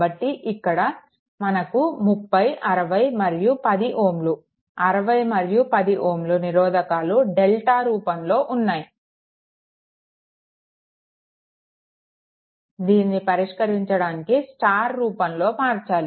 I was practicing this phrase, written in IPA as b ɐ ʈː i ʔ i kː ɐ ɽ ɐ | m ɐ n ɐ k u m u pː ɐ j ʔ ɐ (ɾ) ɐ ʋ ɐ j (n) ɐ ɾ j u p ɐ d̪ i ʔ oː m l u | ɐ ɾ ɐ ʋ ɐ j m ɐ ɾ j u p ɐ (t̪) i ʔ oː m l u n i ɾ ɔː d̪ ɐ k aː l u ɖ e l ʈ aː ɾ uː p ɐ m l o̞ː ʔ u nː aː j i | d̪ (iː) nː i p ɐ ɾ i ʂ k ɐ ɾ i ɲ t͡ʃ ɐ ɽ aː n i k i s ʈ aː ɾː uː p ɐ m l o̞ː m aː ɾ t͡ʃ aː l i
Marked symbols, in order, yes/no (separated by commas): yes, no, no, yes